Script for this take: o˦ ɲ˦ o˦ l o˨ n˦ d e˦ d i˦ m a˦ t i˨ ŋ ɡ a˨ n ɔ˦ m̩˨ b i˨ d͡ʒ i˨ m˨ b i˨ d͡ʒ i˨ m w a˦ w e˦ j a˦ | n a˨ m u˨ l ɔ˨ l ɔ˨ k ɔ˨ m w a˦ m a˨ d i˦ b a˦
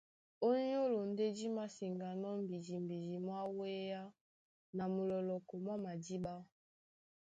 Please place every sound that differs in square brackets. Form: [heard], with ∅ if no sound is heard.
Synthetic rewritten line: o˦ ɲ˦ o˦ l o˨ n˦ d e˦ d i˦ m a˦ [s] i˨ ŋ ɡ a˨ n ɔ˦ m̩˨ b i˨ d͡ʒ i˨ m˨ b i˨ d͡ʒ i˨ m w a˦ w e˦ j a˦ | n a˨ m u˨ l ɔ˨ l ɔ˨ k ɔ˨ m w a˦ m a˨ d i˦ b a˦